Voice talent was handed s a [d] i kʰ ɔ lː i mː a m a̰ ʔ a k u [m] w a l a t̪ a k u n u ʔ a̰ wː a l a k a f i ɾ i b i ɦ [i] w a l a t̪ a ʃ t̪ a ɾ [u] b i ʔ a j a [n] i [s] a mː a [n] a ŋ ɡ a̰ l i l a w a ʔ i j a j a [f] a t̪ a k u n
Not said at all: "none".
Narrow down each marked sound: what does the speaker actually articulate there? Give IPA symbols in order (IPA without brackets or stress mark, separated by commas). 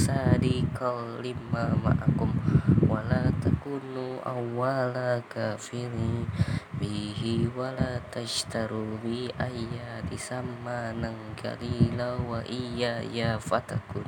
d, m, i, u, d, s, n, f